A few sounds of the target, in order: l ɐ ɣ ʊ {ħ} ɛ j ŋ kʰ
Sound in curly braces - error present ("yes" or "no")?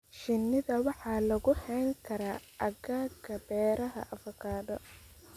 yes